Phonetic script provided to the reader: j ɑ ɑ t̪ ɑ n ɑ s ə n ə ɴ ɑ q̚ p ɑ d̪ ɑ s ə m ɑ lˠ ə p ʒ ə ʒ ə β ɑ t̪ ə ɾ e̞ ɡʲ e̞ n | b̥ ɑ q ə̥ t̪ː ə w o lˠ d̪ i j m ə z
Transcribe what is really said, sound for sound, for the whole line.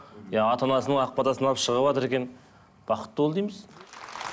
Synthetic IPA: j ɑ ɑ t̪ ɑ n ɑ s ə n ə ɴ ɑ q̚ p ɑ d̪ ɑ s ə n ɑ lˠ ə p ʃ ə ʁ ə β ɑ t̪ ə ɾ e̞ kʲ e̞ n | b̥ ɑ q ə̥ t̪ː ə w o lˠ d̪ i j m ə z

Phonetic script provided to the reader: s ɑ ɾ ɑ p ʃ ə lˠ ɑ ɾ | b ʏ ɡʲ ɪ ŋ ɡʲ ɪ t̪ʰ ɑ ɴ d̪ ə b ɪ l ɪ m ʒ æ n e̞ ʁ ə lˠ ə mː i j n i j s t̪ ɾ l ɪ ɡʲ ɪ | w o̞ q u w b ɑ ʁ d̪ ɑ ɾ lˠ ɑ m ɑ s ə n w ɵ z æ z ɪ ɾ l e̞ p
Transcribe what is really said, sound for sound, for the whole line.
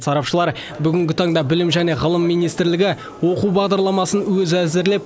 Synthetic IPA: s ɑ ɾ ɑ p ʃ ə lˠ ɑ ɾ | b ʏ ɡʲ ɪ ŋ ɡʲ ɪ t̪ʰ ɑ ɴ d̪ ɑ b ɪ l ɪ m ʒ æ n e̞ ʁ ə lˠ ə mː i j n i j s t̪ ɾ l ɪ ɡʲ ɪ | w o̞ q u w b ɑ ʁ d̪ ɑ ɾ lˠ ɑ m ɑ s ə n w ɵ z æ z ɪ ɾ l e̞ p

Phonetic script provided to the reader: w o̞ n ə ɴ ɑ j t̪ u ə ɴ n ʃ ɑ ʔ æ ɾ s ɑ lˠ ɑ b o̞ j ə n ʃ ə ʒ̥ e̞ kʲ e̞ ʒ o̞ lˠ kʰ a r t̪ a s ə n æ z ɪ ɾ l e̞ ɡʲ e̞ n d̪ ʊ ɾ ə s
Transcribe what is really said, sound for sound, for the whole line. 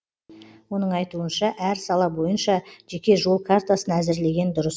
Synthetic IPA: w o̞ n ə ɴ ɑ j t̪ u ə n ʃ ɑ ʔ æ ɾ s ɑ lˠ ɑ b o̞ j ə n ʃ ɑ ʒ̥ e̞ kʲ e̞ ʒ o̞ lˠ kʰ a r t̪ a s ə n æ z ɪ ɾ l e̞ ɡʲ e̞ n d̪ ʊ ɾ ə s

